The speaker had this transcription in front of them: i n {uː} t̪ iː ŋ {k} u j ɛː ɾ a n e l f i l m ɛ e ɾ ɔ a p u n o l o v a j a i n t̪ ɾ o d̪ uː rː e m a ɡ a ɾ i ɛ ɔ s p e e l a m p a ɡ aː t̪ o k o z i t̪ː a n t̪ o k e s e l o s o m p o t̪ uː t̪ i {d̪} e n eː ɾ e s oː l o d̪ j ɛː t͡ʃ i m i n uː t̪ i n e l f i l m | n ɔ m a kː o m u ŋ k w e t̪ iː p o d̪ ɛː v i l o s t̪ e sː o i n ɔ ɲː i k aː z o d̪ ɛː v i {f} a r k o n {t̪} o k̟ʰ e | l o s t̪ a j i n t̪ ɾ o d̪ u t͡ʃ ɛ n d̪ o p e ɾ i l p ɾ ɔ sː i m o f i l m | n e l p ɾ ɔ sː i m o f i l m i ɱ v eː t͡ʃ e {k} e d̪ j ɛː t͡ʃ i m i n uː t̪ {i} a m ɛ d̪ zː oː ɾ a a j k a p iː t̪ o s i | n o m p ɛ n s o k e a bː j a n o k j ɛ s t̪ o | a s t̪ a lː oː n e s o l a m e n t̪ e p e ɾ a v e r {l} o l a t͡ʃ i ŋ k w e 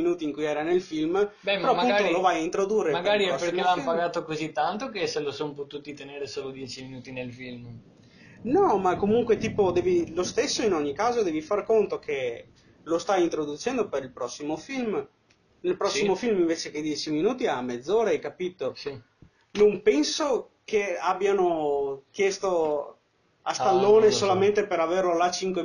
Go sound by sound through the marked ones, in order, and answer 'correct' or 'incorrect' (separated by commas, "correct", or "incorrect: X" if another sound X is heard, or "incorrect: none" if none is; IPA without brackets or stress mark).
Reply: correct, correct, incorrect: t̪, correct, correct, correct, correct, correct